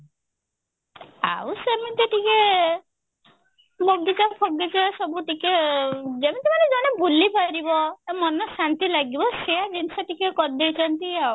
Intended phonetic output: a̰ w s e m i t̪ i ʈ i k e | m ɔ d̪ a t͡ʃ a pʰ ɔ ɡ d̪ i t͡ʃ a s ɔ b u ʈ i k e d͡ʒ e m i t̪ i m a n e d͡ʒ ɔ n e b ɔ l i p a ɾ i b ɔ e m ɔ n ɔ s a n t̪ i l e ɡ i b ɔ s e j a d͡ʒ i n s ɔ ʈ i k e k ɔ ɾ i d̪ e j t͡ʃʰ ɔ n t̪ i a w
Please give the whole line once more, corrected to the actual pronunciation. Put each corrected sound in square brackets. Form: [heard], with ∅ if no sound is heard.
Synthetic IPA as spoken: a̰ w s e m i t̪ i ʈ i k e | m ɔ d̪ [i] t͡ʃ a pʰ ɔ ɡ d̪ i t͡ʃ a s ɔ b u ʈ i k e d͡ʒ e m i t̪ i m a n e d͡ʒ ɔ n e b [u] l i p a ɾ i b ɔ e m ɔ n ɔ s a n t̪ i l [a] ɡ i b ɔ s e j a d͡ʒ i n s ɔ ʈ i k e k ɔ ɾ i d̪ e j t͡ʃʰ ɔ n t̪ i a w

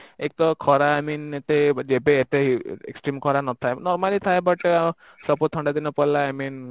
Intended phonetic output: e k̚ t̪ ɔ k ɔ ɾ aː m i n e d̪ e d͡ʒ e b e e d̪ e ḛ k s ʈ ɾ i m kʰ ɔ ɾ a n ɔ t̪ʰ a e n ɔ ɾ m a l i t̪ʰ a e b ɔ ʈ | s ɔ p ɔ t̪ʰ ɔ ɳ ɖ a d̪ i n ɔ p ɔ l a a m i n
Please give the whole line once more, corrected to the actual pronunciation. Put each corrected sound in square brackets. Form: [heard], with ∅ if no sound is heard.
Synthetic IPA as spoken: e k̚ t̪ ɔ [kʰ] ɔ ɾ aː m i n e [t̪] e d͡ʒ e b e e [t̪] e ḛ k s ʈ ɾ i m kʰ ɔ ɾ a n ɔ t̪ʰ a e n ɔ ɾ m a l i t̪ʰ a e b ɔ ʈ | s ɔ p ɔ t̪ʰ ɔ ɳ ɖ a d̪ i n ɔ p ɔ l a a m i n

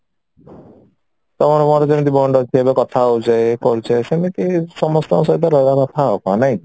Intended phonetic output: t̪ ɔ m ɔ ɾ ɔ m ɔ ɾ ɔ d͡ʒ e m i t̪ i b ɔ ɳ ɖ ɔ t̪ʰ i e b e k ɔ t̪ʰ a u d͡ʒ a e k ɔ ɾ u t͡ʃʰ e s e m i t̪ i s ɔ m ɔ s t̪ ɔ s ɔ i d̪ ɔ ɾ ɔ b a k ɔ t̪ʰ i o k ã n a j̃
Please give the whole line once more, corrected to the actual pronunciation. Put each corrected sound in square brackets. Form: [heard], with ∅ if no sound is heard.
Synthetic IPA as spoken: t̪ ɔ m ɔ ɾ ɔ m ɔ ɾ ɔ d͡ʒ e m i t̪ i b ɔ ɳ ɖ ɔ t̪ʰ i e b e k ɔ t̪ʰ a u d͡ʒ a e k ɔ ɾ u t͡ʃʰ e s e m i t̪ i s ɔ m ɔ s t̪ ɔ s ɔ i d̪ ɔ ɾ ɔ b a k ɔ t̪ʰ [a] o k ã n a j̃

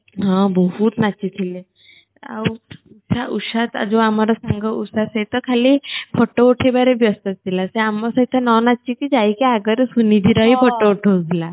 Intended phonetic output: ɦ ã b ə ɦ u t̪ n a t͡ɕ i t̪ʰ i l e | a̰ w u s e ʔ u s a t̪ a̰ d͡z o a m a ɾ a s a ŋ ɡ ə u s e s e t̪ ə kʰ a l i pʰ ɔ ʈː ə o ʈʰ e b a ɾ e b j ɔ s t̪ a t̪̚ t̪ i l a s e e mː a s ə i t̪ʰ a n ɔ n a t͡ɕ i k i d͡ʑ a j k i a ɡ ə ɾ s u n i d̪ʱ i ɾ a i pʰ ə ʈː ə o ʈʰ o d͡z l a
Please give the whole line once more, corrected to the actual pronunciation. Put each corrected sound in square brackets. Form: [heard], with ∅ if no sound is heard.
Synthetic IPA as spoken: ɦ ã b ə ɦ u t̪ n a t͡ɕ i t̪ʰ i l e | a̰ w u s [a] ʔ u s a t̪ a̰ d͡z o a m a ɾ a s a ŋ ɡ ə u s [a] s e t̪ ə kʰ a l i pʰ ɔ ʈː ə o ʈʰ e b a ɾ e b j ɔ s t̪ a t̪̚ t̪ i l a s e [a] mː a s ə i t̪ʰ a n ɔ n a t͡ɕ i k i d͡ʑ a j k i a ɡ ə ɾ s u n i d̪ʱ i ɾ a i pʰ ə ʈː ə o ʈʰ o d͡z l a

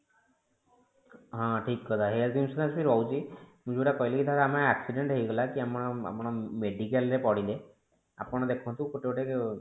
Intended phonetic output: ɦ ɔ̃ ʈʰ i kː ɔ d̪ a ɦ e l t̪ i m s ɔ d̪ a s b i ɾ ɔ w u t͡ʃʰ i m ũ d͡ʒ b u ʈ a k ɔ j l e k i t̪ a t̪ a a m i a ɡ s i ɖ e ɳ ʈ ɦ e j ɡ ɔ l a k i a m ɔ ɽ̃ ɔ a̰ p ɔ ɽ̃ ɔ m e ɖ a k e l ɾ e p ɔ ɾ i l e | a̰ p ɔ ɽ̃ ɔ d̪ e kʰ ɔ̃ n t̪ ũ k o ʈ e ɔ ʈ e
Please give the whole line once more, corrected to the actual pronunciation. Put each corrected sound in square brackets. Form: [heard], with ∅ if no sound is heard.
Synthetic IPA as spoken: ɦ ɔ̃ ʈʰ i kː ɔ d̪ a ɦ e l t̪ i m s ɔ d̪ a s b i ɾ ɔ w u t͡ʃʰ i m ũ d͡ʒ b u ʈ a k ɔ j l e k i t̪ a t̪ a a m [a] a [k] s i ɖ e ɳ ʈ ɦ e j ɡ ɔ l a k i a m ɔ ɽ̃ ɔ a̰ p ɔ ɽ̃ ɔ m e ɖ [i] k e l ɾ e p ɔ [ɽ] i l e | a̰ p ɔ ɽ̃ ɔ d̪ e kʰ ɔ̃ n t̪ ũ k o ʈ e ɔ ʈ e

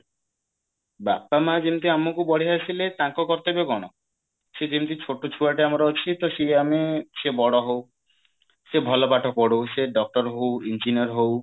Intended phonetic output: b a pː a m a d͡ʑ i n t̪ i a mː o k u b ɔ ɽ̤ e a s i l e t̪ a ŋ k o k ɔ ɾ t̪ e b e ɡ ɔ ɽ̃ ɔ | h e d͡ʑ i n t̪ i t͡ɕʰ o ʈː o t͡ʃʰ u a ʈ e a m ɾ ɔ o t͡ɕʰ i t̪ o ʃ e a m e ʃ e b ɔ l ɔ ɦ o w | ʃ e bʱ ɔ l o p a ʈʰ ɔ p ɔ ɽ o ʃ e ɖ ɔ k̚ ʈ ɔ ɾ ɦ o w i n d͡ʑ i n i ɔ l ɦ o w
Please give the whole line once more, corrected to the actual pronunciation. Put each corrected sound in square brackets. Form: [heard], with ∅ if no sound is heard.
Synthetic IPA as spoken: b a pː a m a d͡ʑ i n t̪ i a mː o k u b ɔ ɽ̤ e a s i l e t̪ a ŋ k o k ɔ ɾ t̪ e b e ɡ ɔ ɽ̃ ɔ | [ʃ] e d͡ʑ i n t̪ i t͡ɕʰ o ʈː o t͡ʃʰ u a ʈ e a m ɾ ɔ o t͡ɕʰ i t̪ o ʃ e a m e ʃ e b ɔ [ɽ] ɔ ɦ o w | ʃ e bʱ ɔ l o p a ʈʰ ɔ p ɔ ɽ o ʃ e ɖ ɔ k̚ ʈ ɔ ɾ ɦ o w i n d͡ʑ i n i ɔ [ɾ] ɦ o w

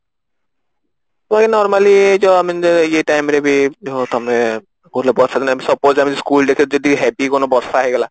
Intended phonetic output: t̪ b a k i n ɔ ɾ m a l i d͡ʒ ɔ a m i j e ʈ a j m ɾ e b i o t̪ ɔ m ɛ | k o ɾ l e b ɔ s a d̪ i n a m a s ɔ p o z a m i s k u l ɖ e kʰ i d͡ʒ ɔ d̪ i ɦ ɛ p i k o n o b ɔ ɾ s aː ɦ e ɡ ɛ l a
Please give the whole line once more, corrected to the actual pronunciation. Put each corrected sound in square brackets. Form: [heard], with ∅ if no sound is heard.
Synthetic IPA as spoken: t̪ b a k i n ɔ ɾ m a l i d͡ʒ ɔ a m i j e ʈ a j m ɾ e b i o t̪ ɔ m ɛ | k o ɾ l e b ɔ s a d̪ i n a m [i] s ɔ p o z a m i s k u l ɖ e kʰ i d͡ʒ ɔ d̪ i ɦ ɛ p i k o n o b ɔ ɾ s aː ɦ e ɡ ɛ l a

